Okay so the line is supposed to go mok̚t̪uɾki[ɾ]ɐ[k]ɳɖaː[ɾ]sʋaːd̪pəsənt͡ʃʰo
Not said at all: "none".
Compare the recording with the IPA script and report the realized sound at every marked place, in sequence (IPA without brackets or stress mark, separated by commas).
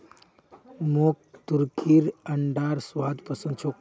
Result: ɾ, none, ɾ